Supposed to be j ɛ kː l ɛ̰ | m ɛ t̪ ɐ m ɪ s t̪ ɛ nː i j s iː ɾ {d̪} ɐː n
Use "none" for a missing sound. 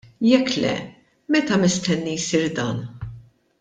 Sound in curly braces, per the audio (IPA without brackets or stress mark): d̪